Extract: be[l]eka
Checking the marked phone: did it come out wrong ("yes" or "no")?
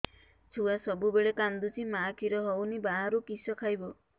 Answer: yes